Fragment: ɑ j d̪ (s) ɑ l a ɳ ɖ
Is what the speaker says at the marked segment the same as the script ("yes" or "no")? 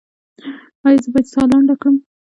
yes